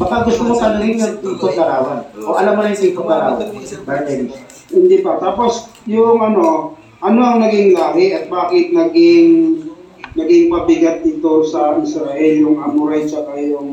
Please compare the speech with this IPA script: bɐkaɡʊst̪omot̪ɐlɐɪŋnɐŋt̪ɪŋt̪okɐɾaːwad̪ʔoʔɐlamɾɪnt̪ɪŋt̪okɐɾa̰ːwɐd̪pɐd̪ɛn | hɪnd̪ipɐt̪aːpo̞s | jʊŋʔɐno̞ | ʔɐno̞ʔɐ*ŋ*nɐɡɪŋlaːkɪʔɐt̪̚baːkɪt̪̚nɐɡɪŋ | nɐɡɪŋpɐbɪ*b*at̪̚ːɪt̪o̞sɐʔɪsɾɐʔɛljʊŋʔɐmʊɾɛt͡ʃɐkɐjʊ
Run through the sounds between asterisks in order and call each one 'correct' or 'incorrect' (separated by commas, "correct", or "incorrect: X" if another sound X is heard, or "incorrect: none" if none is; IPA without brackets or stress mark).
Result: correct, incorrect: ɡ